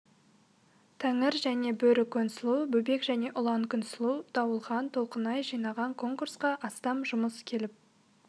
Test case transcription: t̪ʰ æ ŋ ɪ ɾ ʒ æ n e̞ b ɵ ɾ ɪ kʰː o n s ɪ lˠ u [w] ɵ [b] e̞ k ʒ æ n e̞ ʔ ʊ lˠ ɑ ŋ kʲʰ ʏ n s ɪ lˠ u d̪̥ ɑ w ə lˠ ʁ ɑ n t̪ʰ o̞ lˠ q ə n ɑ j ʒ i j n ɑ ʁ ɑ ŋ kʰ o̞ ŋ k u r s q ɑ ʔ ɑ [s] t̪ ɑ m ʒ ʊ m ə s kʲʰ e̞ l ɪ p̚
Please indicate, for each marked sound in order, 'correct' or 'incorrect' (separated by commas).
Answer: incorrect, correct, correct